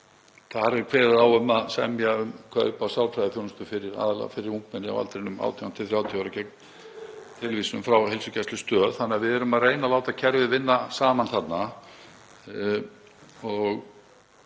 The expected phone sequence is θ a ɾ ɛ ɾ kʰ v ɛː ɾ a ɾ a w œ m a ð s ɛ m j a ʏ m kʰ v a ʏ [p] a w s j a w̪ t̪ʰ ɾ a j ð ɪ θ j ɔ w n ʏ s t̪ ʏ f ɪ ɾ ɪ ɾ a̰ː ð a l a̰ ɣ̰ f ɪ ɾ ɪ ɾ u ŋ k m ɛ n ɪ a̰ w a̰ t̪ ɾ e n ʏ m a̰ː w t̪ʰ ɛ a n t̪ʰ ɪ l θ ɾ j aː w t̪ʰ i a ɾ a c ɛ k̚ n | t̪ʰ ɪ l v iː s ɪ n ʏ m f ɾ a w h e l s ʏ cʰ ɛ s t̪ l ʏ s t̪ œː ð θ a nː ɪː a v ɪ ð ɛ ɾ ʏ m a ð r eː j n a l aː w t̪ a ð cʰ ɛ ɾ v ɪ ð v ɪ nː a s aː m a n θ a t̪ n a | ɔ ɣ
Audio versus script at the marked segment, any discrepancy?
no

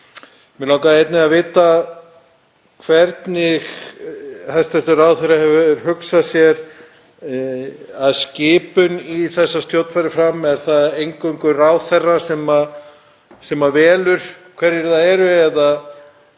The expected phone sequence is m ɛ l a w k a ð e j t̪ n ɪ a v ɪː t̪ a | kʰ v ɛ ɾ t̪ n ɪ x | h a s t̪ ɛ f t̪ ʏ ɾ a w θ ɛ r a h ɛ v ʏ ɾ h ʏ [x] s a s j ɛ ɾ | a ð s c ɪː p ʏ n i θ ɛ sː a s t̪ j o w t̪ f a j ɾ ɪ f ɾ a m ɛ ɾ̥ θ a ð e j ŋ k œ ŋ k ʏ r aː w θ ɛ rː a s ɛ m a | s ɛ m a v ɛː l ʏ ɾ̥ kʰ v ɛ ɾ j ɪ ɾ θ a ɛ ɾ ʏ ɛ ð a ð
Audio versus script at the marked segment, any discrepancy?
yes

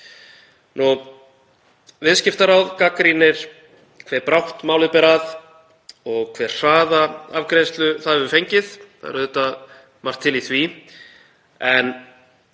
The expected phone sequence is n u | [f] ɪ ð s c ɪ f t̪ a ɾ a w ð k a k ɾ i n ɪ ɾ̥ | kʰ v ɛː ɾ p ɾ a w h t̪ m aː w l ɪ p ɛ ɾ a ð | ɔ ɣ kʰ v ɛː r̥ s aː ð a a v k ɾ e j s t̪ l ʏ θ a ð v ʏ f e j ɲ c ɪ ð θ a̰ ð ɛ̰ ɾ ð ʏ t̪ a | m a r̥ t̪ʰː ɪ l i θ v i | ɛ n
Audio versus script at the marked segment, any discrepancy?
yes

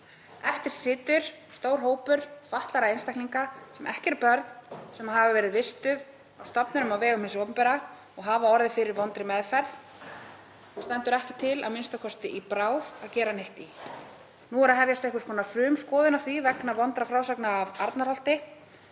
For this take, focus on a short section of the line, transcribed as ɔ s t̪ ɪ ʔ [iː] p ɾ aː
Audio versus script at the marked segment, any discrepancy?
yes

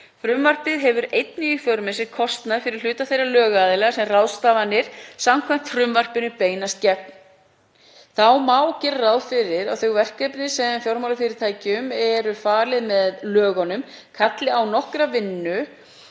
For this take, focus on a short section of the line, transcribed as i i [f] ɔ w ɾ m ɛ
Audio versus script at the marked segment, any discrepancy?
no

